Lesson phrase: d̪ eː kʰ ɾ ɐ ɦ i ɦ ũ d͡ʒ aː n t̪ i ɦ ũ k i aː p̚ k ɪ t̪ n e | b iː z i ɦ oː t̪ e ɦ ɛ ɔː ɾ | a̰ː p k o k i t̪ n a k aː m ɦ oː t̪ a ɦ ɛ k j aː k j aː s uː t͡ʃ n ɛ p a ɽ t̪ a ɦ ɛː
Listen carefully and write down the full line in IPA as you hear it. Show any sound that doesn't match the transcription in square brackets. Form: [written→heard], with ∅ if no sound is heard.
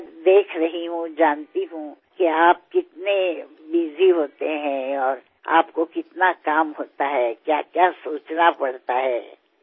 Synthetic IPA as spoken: d̪ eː kʰ ɾ ɐ ɦ i ɦ ũ d͡ʒ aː n t̪ i ɦ ũ k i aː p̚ k ɪ t̪ n e | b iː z i ɦ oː t̪ e ɦ [ɛ→ɛ̃] ɔː ɾ | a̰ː p k o k [i→ɪ] t̪ n a k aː m ɦ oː t̪ a ɦ ɛ k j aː k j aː s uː t͡ʃ n [ɛ→a] p [a→ɐ] ɽ t̪ a ɦ ɛː